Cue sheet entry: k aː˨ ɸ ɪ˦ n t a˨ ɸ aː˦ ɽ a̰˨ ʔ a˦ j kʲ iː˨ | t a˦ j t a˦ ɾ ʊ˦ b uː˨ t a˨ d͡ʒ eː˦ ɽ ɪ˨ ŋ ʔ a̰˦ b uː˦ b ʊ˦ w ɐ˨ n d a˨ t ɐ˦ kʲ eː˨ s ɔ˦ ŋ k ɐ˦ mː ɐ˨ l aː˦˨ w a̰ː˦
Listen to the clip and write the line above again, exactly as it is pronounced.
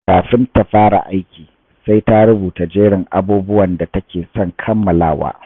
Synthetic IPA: k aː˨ ɸ ɪ˦ n t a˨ ɸ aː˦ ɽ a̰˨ ʔ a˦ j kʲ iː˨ | s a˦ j t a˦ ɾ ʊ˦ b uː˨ t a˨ d͡ʒ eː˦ ɽ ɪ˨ ŋ ʔ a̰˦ b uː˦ b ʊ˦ w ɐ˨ n d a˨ t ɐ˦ kʲ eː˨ s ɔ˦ ŋ kʰ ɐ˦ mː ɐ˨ l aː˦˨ w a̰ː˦